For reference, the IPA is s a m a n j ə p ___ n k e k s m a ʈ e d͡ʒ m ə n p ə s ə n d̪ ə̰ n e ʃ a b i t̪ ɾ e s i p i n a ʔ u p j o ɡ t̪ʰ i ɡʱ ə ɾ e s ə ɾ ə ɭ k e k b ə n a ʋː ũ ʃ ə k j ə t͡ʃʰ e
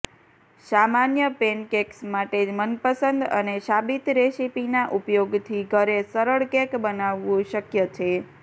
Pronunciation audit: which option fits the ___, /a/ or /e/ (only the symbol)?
e